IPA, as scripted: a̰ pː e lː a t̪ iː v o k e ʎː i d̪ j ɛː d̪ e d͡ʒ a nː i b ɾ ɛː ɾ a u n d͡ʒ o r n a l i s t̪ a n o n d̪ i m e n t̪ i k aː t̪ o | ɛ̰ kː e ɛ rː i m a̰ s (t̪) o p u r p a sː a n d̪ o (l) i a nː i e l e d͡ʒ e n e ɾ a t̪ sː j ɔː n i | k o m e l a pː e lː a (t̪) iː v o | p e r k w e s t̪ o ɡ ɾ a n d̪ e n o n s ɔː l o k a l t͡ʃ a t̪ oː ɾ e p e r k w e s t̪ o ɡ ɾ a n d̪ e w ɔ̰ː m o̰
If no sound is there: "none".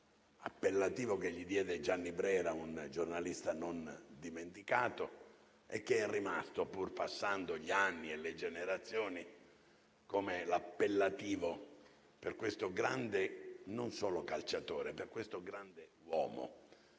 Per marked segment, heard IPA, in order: t̪, ʎ, t̪

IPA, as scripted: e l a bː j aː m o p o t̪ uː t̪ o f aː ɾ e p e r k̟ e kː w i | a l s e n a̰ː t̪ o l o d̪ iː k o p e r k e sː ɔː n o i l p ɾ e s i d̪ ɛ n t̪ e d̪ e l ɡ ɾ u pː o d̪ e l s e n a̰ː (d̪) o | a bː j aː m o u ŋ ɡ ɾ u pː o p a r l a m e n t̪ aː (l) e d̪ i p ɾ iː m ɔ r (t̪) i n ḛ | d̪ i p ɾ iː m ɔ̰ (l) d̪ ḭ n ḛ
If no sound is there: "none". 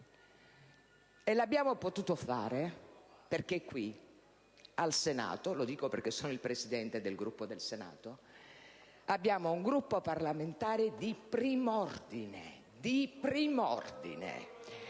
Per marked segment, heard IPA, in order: t̪, ɾ, d̪, r

